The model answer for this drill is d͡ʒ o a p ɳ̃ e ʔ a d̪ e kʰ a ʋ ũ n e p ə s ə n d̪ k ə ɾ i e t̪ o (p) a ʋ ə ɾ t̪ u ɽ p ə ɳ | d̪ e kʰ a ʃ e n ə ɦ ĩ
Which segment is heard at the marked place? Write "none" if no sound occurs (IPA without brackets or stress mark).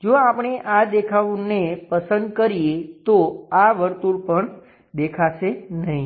none